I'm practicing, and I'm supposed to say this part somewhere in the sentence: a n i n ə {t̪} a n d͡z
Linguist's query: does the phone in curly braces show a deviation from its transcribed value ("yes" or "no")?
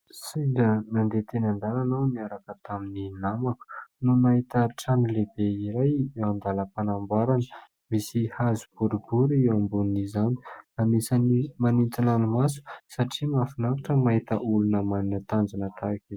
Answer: no